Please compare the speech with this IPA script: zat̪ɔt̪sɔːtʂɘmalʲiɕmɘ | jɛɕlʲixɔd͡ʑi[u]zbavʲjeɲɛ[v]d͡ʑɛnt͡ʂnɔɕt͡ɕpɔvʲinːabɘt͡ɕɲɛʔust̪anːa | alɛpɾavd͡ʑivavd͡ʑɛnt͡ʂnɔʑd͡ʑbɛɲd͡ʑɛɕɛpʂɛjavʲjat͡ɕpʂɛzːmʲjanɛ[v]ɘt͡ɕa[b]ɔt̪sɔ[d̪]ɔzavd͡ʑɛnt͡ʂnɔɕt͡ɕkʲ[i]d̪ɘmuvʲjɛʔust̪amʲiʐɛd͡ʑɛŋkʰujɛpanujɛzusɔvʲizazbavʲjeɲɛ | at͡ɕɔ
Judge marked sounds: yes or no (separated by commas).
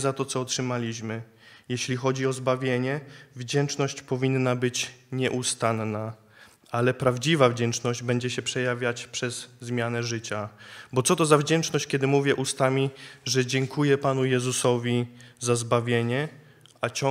no, yes, no, yes, no, no